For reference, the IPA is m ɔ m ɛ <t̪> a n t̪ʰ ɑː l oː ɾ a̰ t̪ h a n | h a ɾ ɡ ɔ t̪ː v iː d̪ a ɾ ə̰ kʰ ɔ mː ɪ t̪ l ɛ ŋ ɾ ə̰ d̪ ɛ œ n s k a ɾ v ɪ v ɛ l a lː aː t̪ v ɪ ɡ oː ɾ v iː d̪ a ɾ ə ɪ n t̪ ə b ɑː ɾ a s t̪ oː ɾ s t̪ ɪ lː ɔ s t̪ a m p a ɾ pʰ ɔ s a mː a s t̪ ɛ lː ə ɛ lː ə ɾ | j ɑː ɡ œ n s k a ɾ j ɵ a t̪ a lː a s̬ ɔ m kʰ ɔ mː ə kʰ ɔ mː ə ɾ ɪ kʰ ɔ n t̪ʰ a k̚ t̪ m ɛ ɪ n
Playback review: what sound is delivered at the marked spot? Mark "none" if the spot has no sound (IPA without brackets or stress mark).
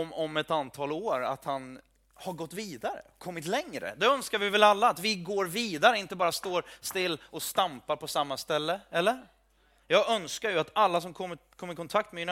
t̪